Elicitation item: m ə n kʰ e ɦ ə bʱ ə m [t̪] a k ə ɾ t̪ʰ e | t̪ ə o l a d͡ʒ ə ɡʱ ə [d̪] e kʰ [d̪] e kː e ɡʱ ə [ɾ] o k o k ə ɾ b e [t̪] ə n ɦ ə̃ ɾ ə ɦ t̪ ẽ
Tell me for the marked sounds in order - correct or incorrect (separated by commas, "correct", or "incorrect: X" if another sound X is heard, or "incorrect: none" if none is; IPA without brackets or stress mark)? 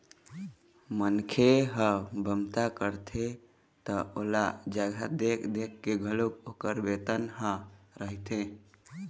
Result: correct, correct, correct, incorrect: l, correct